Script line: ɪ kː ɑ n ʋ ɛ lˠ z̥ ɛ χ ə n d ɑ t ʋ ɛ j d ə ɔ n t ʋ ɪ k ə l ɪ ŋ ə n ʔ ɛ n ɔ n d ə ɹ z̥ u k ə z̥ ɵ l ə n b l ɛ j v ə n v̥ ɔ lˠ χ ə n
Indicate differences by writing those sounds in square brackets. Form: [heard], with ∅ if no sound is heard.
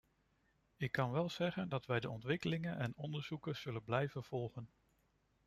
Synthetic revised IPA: ɪ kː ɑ n ʋ ɛ lˠ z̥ ɛ χ ə n d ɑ t ʋ ɛ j d ə ɔ n t ʋ ɪ k ə l ɪ ŋ ə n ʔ ɛ n ɔ n d ə ɹ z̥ u k ə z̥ ɵ l ə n b l ɛ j v ə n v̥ ɔ lˠ χ ə n

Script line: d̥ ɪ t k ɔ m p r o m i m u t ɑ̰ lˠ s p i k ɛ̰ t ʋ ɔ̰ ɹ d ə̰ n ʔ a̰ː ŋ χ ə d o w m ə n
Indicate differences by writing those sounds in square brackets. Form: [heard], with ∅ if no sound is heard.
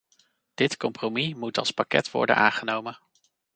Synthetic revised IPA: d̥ ɪ t k ɔ m p r o m i m u t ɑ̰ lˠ s p [a] k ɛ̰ t ʋ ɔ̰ ɹ d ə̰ n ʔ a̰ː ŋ χ ə [n] o w m ə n

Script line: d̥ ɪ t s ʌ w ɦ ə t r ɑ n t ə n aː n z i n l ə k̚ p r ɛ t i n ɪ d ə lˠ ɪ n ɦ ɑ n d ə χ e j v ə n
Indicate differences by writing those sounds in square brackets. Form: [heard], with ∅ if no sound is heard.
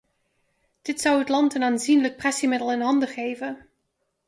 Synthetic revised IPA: d̥ ɪ t s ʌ w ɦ ə t [l] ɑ n t ə n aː n z i n l ə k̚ p r ɛ [s] i [m] ɪ d ə lˠ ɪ n ɦ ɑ n d ə χ e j v ə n

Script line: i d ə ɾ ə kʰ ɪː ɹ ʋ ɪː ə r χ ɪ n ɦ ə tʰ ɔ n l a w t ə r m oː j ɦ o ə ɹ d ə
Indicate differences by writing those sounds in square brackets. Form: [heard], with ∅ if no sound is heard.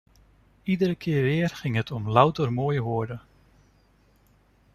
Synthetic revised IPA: i d ə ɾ ə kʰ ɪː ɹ ʋ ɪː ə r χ ɪ [ŋ] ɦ ə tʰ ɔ [m] l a w t ə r m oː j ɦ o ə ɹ d ə

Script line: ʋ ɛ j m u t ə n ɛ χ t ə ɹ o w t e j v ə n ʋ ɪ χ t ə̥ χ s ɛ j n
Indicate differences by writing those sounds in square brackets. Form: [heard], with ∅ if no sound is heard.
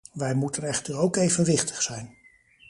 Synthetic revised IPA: ʋ ɛ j m u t ə n ɛ χ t ə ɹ o w [k] e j v ə n ʋ ɪ χ t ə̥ χ s ɛ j n

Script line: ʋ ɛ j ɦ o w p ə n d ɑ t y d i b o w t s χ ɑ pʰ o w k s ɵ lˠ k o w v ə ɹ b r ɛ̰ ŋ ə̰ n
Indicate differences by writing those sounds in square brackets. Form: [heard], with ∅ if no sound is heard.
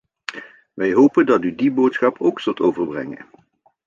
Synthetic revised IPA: ʋ ɛ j ɦ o w p ə n d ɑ t y d i b o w t s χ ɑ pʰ o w k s ɵ lˠ [t] o w v ə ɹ b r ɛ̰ ŋ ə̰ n

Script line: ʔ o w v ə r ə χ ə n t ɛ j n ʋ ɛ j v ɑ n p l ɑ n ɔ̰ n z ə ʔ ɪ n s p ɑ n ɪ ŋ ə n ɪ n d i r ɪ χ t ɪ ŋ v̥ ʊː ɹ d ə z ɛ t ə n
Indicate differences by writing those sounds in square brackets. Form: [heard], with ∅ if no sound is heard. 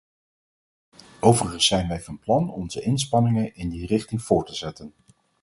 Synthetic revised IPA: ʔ o w v ə r ə χ ə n [s] ɛ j n ʋ ɛ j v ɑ n p l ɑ n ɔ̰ n z ə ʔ ɪ n s p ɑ n ɪ ŋ ə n ɪ n d i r ɪ χ t ɪ ŋ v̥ ʊː ɹ [t] ə z ɛ t ə n

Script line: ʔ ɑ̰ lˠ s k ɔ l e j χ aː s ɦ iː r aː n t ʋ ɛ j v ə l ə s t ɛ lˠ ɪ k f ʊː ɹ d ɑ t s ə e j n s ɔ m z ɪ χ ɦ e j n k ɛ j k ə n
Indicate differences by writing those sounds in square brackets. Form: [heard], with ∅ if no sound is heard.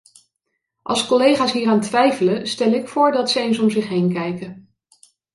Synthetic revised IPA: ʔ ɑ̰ lˠ s k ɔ l e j χ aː s ɦ iː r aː n t ʋ ɛ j [f] ə l ə s t ɛ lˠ ɪ k f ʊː ɹ d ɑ t s ə e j n s ɔ m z ɪ χ ɦ e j n k ɛ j k ə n

